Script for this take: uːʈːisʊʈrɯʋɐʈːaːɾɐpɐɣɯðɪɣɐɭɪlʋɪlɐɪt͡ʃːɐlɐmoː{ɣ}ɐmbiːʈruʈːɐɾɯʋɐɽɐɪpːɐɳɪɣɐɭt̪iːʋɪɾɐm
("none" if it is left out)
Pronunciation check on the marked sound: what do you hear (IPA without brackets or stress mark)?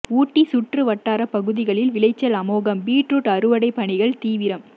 ɣ